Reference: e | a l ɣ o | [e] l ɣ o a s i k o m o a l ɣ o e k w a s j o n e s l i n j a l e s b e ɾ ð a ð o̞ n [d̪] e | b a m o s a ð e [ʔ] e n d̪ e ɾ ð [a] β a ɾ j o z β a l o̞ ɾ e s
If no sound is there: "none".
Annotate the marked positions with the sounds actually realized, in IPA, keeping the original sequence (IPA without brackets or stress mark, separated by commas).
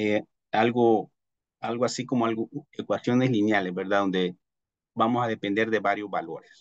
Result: a, d̪, p, e